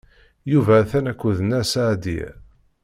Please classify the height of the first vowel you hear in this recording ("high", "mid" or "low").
high